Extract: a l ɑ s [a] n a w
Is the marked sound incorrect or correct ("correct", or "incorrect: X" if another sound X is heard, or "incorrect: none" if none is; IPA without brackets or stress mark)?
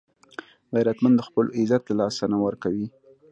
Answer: correct